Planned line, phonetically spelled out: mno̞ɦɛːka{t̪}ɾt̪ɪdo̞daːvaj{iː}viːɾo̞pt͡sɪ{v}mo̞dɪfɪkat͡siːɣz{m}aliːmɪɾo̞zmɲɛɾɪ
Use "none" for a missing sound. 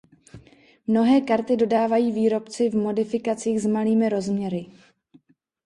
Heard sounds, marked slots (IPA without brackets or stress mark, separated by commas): none, iː, v, m